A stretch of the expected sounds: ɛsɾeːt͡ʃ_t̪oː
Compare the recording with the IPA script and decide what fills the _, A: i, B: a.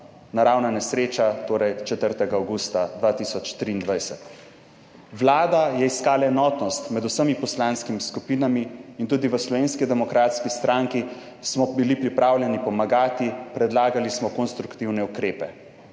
B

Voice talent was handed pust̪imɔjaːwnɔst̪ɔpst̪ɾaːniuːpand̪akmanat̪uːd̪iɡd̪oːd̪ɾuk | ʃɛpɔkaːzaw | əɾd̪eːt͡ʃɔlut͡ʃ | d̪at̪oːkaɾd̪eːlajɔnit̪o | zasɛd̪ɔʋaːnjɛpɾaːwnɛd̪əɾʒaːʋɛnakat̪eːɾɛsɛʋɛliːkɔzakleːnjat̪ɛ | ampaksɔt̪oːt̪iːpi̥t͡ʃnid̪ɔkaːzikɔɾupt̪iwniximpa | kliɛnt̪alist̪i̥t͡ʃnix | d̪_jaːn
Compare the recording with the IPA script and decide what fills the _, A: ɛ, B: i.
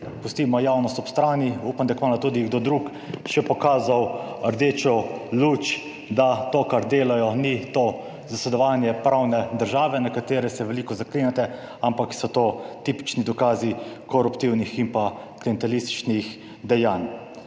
A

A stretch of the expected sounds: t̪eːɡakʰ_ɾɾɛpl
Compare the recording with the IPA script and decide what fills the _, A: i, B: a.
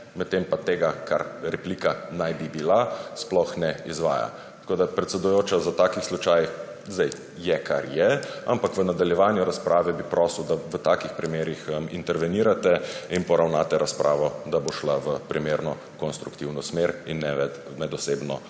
B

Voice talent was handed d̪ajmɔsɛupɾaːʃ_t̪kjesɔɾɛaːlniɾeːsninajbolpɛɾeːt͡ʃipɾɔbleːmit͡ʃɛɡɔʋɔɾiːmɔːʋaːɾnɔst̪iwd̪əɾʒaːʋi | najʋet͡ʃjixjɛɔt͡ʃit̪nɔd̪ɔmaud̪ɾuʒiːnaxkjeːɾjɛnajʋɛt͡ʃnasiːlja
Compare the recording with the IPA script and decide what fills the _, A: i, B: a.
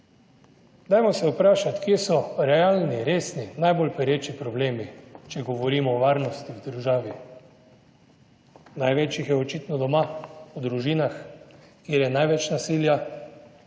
B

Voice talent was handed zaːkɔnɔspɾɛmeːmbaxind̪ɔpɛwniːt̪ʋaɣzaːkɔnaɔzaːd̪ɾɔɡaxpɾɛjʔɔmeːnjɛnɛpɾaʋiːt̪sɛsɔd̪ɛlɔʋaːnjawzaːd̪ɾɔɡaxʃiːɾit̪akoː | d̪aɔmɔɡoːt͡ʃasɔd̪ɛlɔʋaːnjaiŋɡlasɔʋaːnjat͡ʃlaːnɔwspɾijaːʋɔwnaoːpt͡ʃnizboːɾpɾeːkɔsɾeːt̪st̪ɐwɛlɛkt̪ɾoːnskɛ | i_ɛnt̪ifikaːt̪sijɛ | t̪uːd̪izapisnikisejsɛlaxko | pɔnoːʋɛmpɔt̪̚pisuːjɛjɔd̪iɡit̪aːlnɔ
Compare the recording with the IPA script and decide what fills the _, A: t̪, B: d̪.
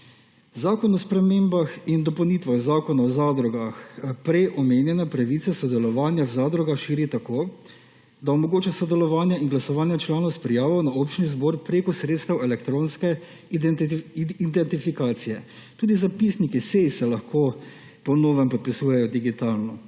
B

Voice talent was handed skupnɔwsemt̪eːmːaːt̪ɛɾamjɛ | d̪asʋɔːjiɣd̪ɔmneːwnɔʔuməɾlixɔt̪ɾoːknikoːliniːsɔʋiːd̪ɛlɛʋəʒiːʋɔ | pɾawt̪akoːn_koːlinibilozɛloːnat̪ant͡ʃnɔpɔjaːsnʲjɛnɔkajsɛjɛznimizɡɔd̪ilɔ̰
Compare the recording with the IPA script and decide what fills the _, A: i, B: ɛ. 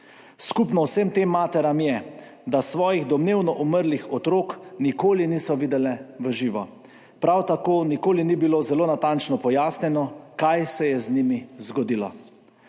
A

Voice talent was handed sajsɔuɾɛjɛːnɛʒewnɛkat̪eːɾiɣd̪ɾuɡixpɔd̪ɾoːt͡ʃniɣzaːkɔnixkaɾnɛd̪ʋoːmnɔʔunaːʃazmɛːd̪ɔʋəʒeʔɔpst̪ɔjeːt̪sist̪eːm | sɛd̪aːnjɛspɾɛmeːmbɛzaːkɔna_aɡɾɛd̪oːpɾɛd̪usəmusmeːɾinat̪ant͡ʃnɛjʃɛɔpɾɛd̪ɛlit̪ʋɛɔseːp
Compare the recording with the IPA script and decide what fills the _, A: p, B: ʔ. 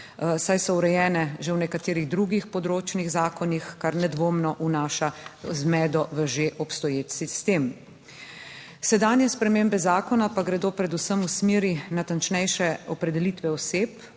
A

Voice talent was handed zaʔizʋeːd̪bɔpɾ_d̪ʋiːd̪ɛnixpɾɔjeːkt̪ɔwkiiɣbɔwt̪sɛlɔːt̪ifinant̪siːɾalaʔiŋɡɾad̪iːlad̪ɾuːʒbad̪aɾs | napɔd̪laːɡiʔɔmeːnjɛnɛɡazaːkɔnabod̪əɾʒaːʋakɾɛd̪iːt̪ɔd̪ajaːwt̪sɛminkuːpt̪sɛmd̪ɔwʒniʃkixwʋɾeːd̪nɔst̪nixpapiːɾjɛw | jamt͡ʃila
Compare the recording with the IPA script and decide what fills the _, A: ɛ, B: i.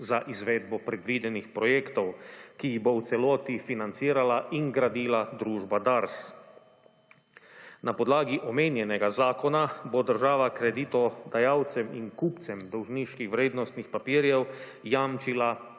A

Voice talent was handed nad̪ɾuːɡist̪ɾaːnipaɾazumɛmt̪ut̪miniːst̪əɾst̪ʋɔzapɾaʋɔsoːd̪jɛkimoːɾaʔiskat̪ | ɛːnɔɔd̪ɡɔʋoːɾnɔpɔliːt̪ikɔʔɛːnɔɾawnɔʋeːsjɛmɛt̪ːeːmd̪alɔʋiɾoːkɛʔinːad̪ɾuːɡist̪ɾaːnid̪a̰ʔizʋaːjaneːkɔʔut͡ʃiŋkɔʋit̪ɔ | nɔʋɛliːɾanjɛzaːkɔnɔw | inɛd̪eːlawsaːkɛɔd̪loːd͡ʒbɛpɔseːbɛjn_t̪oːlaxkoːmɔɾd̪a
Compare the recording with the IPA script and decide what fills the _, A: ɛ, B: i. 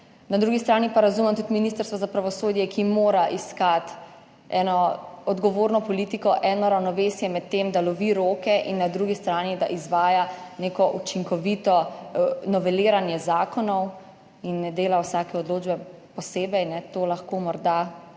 A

